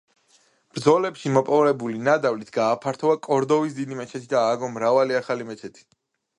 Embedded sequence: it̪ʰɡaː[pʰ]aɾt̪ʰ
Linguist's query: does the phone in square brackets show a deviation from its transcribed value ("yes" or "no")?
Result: no